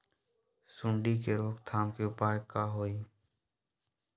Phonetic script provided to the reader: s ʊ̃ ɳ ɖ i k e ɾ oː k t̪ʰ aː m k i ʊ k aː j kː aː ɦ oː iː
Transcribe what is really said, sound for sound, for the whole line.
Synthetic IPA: s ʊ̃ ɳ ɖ i k e ɾ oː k t̪ʰ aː m k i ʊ p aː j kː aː ɦ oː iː